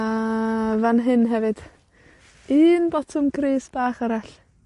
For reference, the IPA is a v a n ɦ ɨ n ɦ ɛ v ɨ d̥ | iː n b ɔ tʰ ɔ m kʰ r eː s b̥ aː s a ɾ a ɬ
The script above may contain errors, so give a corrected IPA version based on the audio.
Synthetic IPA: a v a n ɦ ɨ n ɦ ɛ v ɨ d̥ | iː n b ɔ tʰ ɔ m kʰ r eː s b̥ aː χ a ɾ a ɬ